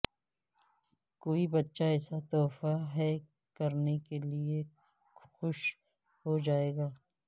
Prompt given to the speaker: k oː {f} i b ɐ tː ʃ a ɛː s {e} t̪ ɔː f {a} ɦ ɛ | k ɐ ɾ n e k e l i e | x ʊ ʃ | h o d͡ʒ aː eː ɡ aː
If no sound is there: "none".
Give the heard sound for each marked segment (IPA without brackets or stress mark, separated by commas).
none, a, a